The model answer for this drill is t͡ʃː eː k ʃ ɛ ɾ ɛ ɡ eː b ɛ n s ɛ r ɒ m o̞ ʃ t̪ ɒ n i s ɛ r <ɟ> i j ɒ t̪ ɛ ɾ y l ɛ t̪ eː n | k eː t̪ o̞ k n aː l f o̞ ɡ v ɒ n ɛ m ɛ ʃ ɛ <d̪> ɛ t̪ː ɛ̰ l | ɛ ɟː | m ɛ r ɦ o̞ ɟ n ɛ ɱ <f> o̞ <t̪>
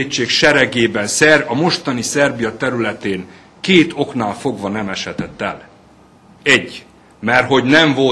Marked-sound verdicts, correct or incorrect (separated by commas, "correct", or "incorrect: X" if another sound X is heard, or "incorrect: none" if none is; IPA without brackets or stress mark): incorrect: b, incorrect: t̪, incorrect: v, incorrect: none